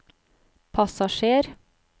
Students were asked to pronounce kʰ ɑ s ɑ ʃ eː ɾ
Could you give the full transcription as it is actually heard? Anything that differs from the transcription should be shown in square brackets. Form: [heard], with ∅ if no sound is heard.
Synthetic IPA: [pʰ] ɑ s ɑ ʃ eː ɾ